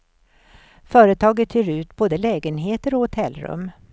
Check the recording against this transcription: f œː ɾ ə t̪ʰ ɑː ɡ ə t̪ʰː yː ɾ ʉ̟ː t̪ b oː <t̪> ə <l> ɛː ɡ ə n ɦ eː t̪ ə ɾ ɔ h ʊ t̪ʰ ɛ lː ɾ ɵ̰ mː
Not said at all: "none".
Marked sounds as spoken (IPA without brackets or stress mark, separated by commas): d̪, l